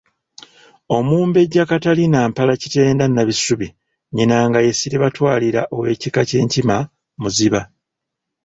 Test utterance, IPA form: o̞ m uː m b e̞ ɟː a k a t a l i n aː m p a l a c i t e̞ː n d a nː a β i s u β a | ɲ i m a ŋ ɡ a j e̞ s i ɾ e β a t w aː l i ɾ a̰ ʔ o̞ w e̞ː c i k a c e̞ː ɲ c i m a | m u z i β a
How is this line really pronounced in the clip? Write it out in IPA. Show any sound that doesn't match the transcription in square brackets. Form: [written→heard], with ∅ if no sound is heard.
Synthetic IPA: o̞ m uː m b e̞ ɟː a k a t a l i n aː m p a l a c i t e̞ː n d a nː a β i s u β [a→i] | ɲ i [m→n] a ŋ ɡ a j e̞ s i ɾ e β a t w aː l i ɾ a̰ ʔ o̞ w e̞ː c i k a c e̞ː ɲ c i m a | m u z i β a